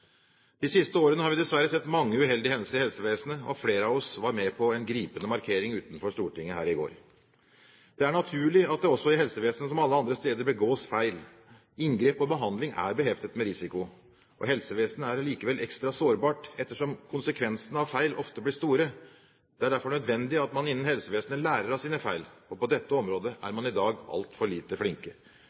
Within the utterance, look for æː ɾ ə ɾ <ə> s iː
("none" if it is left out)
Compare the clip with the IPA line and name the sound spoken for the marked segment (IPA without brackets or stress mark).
ɑ